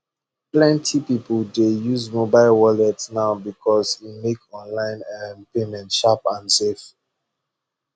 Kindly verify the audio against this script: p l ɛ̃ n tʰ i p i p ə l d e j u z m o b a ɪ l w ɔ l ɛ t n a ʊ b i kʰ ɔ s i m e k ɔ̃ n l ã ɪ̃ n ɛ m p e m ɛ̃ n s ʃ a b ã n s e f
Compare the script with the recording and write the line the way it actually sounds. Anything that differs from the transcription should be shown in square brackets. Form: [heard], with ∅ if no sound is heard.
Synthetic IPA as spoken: p l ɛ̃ n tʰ i p i p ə l d e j u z m o b a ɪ l w ɔ l ɛ t n a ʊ b i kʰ ɔ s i m e k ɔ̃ n l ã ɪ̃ n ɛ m p e m ɛ̃ n [t] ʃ a [p] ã n s e f